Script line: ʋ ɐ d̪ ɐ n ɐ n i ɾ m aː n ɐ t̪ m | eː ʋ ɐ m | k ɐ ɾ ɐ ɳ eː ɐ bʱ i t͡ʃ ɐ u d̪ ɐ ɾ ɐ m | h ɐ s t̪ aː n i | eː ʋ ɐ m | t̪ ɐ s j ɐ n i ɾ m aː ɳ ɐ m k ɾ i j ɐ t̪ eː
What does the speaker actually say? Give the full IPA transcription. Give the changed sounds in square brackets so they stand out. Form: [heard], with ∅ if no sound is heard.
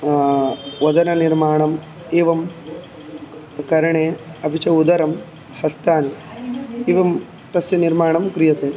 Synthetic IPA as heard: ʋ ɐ d̪ ɐ n ɐ n i ɾ m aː [ɳ] ɐ [∅] m | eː ʋ ɐ m | k ɐ ɾ ɐ ɳ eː ɐ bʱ i t͡ʃ ɐ u d̪ ɐ ɾ ɐ m | h ɐ s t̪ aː n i | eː ʋ ɐ m | t̪ ɐ s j ɐ n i ɾ m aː ɳ ɐ m k ɾ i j ɐ t̪ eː

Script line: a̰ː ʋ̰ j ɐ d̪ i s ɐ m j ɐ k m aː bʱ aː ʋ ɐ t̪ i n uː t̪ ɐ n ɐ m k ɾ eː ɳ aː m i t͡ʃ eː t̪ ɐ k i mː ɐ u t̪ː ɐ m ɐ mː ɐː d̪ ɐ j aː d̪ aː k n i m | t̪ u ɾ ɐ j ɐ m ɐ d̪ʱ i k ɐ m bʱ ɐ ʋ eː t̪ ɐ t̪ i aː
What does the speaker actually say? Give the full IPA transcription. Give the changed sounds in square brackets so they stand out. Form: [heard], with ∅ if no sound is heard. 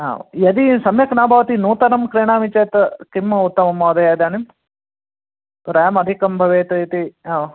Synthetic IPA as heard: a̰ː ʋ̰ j ɐ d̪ i s ɐ m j ɐ k [n] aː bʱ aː ʋ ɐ t̪ i n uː t̪ ɐ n ɐ m k ɾ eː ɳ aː m i t͡ʃ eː t̪ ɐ k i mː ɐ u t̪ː ɐ m ɐ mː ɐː d̪ ɐ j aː d̪ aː [∅] n i m | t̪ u ɾ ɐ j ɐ m ɐ d̪ʱ i k ɐ m bʱ ɐ ʋ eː t̪ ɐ t̪ i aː

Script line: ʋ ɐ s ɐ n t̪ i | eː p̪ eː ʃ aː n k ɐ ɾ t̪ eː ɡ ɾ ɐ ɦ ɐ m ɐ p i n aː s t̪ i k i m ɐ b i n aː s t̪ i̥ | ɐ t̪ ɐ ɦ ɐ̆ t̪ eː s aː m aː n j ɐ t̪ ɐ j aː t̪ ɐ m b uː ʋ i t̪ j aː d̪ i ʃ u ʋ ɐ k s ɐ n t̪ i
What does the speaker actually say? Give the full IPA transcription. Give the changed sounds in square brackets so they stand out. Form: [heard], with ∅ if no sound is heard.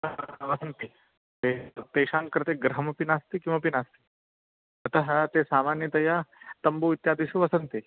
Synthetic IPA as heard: ʋ ɐ s ɐ n t̪ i | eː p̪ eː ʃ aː n k ɐ ɾ t̪ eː ɡ ɾ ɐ ɦ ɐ m ɐ p i n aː s t̪ i k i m ɐ [p] i n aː s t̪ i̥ | ɐ t̪ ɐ ɦ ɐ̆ t̪ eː s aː m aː n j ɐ t̪ ɐ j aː t̪ ɐ m b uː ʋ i t̪ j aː d̪ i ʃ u ʋ ɐ [∅] s ɐ n t̪ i

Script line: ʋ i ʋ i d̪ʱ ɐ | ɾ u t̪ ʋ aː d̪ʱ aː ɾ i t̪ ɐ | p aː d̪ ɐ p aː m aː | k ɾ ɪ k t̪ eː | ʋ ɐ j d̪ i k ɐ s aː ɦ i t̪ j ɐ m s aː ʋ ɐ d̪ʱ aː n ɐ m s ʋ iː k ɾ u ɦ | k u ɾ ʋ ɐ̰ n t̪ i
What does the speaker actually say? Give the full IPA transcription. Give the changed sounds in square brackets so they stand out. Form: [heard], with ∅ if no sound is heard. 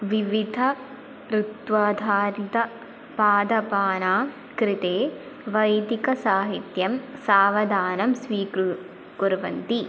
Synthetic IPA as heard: ʋ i ʋ i d̪ʱ ɐ | ɾ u t̪ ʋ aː d̪ʱ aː ɾ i t̪ ɐ | p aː d̪ ɐ p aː [n] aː | k ɾ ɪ [∅] t̪ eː | ʋ ɐ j d̪ i k ɐ s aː ɦ i t̪ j ɐ m s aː ʋ ɐ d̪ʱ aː n ɐ m s ʋ iː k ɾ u [∅] | k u ɾ ʋ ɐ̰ n t̪ i

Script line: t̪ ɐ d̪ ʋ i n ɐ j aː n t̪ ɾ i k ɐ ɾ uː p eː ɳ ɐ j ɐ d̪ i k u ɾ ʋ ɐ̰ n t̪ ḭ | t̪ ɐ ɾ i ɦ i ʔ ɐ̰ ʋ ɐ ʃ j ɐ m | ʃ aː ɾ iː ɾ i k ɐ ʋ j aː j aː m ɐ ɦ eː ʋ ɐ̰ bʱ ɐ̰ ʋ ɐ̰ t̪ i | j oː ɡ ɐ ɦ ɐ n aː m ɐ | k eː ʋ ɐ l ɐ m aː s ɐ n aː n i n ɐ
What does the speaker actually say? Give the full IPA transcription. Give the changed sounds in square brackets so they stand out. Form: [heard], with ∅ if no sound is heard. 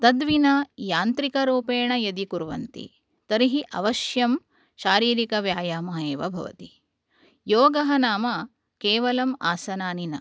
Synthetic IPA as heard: t̪ ɐ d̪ ʋ i n ɐ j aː n t̪ ɾ i k ɐ ɾ uː p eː ɳ ɐ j ɐ d̪ i k u ɾ ʋ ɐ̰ n t̪ ḭ | t̪ ɐ ɾ i ɦ i ʔ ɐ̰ ʋ ɐ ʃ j ɐ m | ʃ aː ɾ iː ɾ i k ɐ ʋ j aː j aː m ɐ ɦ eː ʋ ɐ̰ bʱ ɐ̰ ʋ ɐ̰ t̪ i | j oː ɡ ɐ ɦ ɐ n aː m ɐ | k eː ʋ ɐ l ɐ m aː s ɐ n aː n i n ɐ

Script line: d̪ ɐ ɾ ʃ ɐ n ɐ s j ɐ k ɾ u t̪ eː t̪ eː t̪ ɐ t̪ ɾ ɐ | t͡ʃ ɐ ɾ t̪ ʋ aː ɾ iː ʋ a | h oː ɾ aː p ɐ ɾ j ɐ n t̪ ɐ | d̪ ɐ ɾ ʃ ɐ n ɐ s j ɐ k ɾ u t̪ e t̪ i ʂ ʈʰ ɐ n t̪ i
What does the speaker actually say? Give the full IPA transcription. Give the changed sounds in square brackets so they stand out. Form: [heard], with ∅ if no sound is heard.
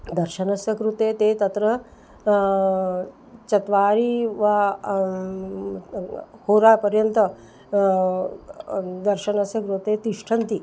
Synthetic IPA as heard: d̪ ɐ ɾ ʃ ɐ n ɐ s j ɐ k ɾ u t̪ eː t̪ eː t̪ ɐ t̪ ɾ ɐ | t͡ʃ ɐ [∅] t̪ ʋ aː ɾ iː ʋ a | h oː ɾ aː p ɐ ɾ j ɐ n t̪ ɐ | d̪ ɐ ɾ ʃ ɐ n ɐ s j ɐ k ɾ u t̪ e t̪ i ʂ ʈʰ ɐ n t̪ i

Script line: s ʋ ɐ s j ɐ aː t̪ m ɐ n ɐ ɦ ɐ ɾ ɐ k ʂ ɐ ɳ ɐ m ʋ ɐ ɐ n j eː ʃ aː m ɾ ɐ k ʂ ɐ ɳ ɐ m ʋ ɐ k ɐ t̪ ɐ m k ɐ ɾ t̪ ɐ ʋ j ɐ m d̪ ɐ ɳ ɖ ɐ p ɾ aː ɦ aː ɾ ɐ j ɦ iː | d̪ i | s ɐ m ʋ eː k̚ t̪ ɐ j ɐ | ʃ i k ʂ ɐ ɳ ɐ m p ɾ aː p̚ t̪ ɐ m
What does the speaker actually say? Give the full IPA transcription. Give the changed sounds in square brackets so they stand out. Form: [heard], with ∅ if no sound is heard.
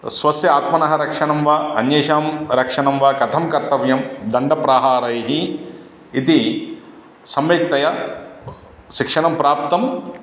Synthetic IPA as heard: s ʋ ɐ s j ɐ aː t̪ m ɐ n ɐ ɦ ɐ ɾ ɐ k ʂ ɐ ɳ ɐ m ʋ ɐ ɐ n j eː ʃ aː m ɾ ɐ k ʂ ɐ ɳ ɐ m ʋ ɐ k ɐ [t̪ʰ] ɐ m k ɐ ɾ t̪ ɐ ʋ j ɐ m d̪ ɐ ɳ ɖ ɐ p ɾ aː ɦ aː ɾ ɐ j ɦ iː | [t̪] i | s ɐ m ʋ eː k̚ t̪ ɐ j ɐ | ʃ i k ʂ ɐ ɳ ɐ m p ɾ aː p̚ t̪ ɐ m

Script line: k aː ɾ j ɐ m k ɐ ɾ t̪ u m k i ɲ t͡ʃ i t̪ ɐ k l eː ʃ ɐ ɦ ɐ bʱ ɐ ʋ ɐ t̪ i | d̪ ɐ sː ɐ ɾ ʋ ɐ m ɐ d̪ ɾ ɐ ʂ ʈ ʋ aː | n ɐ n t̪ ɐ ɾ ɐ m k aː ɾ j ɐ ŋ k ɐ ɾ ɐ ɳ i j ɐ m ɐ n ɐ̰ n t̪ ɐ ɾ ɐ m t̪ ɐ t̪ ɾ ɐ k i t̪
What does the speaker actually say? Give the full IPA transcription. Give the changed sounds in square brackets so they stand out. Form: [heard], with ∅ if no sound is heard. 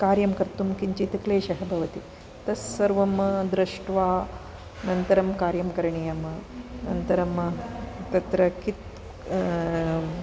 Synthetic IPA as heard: k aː ɾ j ɐ m k ɐ ɾ t̪ u m k i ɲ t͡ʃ i t̪ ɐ k l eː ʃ ɐ ɦ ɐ bʱ ɐ ʋ ɐ t̪ i | [t̪] ɐ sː ɐ ɾ ʋ ɐ m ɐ d̪ ɾ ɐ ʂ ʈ ʋ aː | n ɐ n t̪ ɐ ɾ ɐ m k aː ɾ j ɐ [m] k ɐ ɾ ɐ ɳ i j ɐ m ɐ n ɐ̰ n t̪ ɐ ɾ ɐ m t̪ ɐ t̪ ɾ ɐ k i t̪

